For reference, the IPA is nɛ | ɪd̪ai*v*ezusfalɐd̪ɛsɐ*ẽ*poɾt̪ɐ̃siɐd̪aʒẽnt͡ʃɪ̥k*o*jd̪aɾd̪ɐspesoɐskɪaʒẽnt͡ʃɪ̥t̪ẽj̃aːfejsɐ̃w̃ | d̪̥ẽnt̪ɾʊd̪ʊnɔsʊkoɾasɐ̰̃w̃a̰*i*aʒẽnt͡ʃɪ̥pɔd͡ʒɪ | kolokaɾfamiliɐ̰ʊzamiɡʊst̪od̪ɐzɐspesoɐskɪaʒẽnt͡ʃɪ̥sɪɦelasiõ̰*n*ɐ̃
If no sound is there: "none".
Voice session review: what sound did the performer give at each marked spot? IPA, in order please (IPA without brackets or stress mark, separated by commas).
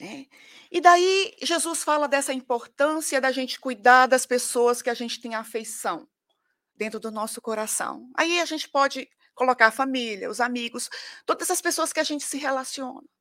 ʒ, ĩ, u, i, n